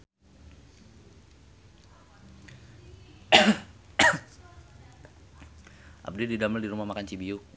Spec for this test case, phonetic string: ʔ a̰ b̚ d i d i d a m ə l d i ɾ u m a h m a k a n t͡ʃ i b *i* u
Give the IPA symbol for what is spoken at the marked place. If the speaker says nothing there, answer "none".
i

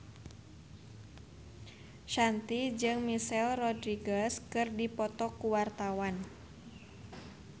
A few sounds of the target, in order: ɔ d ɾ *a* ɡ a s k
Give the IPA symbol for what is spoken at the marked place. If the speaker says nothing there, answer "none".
i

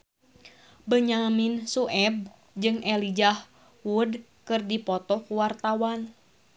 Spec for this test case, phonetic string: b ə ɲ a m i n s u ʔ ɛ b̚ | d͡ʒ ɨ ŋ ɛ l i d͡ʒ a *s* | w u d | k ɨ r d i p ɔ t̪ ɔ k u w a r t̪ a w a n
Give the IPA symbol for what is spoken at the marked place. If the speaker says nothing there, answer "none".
h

